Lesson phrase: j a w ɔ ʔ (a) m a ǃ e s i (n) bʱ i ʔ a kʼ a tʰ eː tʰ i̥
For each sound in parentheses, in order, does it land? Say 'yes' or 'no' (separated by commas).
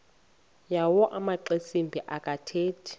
yes, no